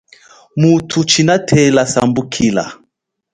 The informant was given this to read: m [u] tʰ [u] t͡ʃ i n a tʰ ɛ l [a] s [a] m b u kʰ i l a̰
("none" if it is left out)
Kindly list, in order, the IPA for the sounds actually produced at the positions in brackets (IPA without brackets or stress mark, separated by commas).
u, u, a, a